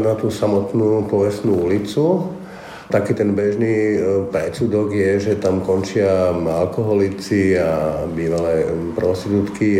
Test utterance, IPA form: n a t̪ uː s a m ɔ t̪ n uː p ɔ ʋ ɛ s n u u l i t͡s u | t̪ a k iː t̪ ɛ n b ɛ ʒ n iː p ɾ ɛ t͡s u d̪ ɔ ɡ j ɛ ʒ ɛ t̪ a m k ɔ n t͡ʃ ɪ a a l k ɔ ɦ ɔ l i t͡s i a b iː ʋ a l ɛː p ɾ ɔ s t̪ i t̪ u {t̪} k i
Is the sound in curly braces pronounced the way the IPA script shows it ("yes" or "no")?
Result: yes